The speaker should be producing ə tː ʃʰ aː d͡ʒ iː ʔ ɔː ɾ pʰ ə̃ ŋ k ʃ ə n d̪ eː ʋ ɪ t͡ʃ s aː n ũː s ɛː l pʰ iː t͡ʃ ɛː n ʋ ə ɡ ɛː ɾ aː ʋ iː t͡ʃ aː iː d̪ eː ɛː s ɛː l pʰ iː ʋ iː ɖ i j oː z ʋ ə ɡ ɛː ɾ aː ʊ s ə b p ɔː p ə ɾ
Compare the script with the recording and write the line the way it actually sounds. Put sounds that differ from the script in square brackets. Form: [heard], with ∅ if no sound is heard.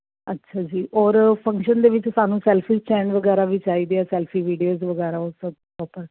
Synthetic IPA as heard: ə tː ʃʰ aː d͡ʒ iː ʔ ɔː ɾ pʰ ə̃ ŋ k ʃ ə n d̪ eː ʋ ɪ t͡ʃ s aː n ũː s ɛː l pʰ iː t͡ʃ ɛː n ʋ ə ɡ ɛː ɾ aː ʋ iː t͡ʃ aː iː d̪ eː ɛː s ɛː l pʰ iː ʋ iː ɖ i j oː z ʋ ə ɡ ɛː ɾ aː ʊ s ə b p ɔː p ə ɾ